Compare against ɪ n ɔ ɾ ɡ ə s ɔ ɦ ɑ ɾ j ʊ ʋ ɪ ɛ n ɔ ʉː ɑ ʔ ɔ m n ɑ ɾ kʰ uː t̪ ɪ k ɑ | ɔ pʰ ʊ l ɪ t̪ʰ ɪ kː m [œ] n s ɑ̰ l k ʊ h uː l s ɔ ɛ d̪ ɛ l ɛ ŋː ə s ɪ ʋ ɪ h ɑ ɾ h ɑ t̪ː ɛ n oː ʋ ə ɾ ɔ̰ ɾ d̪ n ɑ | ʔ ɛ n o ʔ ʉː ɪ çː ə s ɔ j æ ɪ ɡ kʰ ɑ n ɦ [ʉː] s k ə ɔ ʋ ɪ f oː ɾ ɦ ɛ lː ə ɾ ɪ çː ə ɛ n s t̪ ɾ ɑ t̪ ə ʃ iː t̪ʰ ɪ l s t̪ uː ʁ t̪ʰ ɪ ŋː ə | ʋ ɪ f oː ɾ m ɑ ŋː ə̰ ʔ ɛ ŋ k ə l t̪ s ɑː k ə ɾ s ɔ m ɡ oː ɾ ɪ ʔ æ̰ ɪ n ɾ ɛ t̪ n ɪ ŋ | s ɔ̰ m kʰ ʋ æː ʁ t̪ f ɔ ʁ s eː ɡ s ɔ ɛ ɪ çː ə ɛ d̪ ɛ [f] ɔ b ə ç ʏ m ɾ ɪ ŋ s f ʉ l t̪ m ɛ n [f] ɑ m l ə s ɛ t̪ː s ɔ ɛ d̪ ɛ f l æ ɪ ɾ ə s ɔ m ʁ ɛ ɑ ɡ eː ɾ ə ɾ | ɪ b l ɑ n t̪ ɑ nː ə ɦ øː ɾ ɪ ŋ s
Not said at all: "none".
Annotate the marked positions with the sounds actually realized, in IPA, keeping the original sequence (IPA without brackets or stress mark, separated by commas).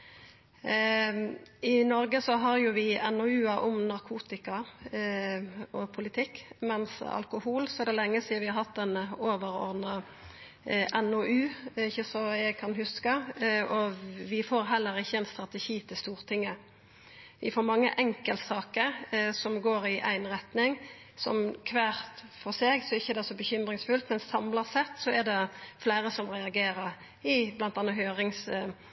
ɛ, ʉ, s, s